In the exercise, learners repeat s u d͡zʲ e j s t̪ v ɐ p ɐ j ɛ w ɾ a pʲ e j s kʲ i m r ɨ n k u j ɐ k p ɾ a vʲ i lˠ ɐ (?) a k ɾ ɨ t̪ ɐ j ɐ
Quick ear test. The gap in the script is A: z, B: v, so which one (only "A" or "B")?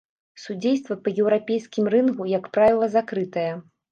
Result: A